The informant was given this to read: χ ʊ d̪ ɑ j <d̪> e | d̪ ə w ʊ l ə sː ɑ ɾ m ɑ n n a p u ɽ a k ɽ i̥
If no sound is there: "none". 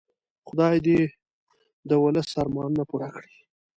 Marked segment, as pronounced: d̪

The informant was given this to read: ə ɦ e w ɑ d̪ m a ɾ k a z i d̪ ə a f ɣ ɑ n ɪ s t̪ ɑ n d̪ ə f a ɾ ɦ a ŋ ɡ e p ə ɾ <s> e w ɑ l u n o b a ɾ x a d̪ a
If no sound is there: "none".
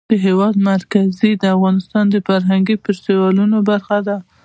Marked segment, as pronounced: s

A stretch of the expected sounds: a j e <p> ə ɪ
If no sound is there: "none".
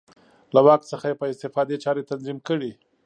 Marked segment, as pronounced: p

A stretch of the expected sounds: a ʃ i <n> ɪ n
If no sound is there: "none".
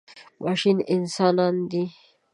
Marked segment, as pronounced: n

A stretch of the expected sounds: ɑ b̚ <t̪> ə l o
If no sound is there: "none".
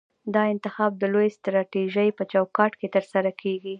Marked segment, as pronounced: d̪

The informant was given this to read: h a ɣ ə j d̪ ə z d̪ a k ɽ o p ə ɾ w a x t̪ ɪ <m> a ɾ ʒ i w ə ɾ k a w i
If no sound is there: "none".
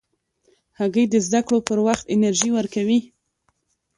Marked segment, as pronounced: n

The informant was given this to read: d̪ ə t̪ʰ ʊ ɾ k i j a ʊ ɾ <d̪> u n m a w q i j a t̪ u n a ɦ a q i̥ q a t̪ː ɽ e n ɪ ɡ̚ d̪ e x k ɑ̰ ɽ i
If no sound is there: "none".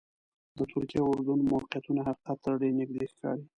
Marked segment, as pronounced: d̪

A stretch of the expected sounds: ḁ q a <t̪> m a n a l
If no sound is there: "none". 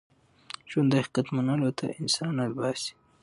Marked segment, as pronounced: t̪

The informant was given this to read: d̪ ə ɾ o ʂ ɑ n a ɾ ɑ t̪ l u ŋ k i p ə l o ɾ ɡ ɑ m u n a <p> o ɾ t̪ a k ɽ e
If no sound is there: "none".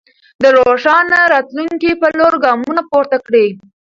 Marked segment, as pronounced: p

